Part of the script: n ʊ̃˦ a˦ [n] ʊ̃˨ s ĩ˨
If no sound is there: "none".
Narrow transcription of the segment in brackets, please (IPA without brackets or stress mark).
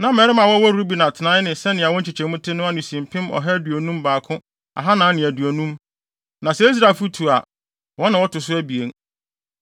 n